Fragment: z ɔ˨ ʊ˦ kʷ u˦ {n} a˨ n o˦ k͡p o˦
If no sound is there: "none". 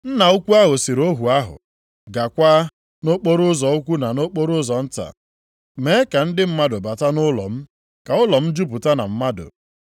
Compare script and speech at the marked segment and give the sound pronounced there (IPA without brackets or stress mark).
n